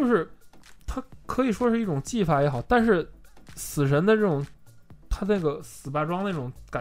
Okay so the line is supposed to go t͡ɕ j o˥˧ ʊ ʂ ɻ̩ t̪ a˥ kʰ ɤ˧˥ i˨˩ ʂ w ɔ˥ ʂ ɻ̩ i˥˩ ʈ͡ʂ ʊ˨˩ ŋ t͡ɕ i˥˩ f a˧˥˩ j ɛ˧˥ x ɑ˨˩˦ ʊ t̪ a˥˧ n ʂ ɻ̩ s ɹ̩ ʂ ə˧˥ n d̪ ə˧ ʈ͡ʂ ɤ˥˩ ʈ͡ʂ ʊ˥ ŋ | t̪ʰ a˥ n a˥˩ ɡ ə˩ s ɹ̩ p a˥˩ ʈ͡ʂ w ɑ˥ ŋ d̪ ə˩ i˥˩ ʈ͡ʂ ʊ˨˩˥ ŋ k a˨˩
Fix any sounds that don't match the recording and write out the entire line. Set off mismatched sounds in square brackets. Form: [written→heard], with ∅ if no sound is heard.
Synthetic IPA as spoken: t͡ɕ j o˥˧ ʊ ʂ ɻ̩ [t̪→t̪ʰ] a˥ kʰ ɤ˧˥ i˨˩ ʂ w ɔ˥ ʂ ɻ̩ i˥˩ ʈ͡ʂ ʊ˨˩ ŋ t͡ɕ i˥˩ f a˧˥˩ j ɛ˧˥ x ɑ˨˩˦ ʊ t̪ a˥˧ n ʂ ɻ̩ s ɹ̩ ʂ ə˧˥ n d̪ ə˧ ʈ͡ʂ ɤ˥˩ ʈ͡ʂ [ʊ˥→ʊ˨˩˥] ŋ | t̪ʰ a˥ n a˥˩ ɡ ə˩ s ɹ̩ p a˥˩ ʈ͡ʂ w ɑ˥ ŋ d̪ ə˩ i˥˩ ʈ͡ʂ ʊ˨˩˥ ŋ k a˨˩